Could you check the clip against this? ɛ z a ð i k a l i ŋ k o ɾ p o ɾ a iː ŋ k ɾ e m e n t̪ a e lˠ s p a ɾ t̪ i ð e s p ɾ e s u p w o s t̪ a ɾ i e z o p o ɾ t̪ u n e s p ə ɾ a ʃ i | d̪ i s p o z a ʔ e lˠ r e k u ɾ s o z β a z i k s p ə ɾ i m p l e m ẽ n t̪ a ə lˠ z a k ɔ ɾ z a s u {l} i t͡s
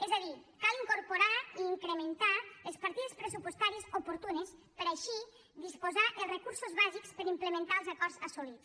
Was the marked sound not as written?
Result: no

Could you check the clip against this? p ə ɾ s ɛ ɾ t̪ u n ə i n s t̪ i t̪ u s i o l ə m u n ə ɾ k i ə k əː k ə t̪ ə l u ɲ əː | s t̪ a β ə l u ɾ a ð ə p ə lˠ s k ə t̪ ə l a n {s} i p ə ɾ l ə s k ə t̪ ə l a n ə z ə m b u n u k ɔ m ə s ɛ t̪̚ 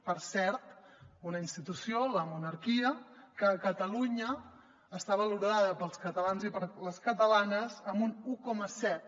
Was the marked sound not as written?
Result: yes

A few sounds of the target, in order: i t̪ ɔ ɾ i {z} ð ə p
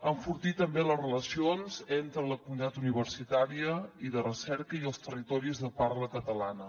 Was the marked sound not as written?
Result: no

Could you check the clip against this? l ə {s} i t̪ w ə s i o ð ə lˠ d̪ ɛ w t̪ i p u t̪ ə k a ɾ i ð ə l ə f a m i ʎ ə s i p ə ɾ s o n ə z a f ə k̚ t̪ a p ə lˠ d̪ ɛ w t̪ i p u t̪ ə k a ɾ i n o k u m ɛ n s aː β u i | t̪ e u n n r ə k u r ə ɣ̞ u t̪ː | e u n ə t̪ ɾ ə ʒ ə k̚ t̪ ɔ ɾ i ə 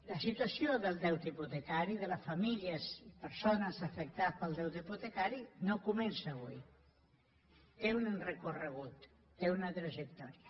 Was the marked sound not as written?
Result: no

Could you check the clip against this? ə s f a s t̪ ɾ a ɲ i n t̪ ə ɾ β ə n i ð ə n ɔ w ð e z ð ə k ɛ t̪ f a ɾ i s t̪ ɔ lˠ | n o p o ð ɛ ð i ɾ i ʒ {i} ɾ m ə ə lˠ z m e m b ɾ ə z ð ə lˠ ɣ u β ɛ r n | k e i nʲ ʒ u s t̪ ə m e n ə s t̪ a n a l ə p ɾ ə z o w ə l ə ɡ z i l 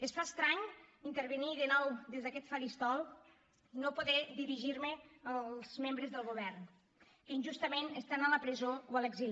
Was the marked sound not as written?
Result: no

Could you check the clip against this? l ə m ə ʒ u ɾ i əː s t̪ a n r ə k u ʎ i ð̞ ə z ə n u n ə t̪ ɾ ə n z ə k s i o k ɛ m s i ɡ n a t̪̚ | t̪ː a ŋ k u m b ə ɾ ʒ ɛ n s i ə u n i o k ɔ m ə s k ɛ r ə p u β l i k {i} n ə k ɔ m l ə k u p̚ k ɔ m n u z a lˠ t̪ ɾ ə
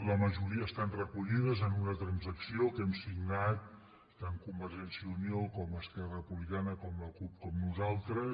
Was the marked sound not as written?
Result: yes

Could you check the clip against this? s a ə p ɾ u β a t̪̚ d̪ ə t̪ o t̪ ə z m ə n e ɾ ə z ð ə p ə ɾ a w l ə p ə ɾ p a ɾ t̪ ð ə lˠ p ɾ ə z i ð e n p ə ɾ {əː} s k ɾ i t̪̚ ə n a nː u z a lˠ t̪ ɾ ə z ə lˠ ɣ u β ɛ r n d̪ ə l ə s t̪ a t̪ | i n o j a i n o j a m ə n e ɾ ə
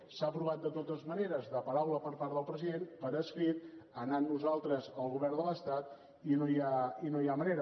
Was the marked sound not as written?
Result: yes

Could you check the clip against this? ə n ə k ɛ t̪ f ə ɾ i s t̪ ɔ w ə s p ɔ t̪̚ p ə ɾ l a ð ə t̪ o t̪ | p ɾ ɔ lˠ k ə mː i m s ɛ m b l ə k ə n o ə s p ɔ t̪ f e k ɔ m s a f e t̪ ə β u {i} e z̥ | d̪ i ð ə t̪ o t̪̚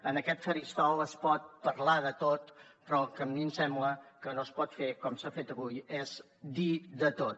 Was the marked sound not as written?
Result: yes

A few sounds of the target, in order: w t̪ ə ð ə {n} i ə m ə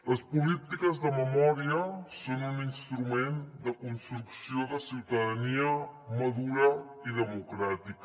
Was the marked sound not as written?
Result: no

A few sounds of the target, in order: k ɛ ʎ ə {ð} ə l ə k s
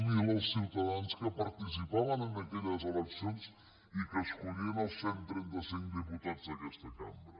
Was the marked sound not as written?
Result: yes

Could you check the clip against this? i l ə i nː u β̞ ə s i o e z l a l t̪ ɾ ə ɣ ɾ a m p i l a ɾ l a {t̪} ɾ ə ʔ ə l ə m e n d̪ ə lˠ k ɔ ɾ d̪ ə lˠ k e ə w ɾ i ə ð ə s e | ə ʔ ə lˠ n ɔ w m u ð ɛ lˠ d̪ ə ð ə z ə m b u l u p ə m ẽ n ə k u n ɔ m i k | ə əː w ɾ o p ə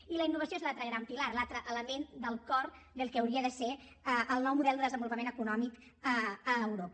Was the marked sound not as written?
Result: no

